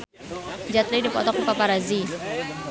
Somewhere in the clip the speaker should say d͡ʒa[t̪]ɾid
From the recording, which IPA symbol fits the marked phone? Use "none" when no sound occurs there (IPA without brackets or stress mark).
t̪